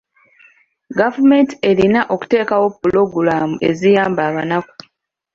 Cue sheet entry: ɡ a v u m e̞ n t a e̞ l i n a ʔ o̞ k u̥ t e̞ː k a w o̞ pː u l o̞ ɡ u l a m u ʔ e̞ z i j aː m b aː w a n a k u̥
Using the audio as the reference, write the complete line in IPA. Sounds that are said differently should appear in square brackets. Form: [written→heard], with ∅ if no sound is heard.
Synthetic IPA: ɡ a v u m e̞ n t [a→i] e̞ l i n a ʔ o̞ k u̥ t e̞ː k a w o̞ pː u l o̞ ɡ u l a m u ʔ e̞ z i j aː m b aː [w→β] a n a k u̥